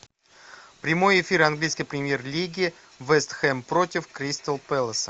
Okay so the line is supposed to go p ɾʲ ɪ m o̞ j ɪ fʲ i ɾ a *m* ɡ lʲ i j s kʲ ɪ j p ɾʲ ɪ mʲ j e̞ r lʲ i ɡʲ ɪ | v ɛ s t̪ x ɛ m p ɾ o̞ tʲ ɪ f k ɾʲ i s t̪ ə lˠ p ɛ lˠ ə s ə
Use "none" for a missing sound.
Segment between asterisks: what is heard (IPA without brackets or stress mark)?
n